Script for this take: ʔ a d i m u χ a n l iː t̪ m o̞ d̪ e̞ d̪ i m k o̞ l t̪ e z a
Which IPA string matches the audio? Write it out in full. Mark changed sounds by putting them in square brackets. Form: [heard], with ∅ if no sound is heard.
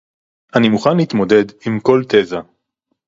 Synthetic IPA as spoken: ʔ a [n] i m u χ a n l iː t̪ m o̞ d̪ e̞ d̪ i m k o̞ l t̪ e z a